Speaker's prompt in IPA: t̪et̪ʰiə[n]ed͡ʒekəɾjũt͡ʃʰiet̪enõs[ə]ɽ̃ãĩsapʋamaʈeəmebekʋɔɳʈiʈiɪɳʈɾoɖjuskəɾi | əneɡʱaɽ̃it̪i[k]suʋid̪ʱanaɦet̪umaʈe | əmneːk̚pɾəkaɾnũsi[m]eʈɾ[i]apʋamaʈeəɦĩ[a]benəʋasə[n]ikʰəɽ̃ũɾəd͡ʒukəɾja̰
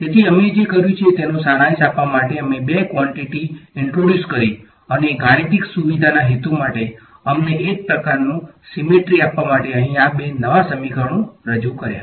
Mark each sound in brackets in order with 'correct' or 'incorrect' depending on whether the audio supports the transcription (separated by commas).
incorrect, incorrect, correct, correct, correct, correct, incorrect